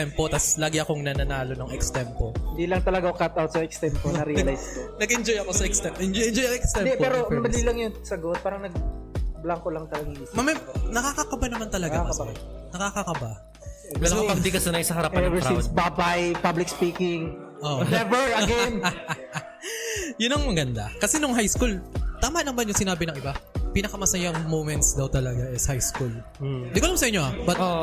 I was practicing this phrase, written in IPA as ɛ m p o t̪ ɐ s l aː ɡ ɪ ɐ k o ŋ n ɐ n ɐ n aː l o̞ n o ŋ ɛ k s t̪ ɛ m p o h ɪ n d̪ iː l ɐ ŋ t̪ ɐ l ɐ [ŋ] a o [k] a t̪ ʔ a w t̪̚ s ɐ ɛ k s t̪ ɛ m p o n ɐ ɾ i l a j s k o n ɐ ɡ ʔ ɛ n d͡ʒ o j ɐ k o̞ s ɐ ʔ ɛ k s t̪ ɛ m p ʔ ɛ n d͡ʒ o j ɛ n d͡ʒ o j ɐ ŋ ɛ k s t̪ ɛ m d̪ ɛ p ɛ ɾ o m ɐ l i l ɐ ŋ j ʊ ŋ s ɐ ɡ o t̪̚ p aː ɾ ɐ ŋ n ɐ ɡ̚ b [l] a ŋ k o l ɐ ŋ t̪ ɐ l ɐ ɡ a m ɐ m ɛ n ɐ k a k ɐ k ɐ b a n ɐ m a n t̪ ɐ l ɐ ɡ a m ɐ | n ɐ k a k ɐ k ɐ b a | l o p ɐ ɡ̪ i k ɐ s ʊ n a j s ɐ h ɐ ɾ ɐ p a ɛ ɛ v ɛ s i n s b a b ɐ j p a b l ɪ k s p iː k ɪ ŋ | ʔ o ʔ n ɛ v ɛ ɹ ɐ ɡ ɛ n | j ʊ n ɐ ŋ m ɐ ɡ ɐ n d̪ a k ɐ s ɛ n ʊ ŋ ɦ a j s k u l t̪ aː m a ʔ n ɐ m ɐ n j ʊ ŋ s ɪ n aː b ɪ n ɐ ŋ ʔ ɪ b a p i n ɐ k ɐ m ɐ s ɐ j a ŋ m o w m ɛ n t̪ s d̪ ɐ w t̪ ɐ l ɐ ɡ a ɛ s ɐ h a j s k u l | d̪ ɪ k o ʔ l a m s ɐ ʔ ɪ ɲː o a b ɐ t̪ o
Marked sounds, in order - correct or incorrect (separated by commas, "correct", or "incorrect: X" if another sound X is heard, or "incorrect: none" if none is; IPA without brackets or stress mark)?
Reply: incorrect: ɡ, correct, correct